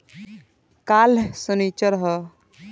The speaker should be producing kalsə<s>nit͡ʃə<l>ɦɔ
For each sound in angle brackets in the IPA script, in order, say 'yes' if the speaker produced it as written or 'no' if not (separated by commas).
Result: no, no